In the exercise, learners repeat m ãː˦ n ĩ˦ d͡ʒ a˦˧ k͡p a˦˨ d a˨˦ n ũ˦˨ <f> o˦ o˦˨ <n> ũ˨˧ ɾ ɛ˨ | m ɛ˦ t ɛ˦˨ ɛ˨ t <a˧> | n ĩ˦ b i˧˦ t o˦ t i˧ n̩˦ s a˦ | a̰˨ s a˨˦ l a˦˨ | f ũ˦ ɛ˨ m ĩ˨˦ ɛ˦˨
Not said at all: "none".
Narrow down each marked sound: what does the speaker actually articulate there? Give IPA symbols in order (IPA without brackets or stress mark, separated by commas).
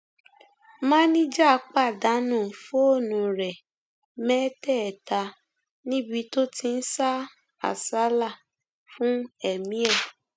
f, n, a˧